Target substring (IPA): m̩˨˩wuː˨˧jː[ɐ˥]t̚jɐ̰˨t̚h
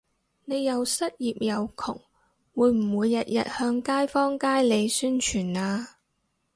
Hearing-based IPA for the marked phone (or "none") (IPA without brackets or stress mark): ɐ˨